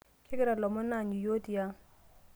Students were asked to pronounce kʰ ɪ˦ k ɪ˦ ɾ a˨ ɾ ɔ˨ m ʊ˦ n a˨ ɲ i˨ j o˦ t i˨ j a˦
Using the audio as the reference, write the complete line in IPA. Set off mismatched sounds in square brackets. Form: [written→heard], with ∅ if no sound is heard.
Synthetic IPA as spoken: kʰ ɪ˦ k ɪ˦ ɾ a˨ [ɾ→l] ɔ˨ m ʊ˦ n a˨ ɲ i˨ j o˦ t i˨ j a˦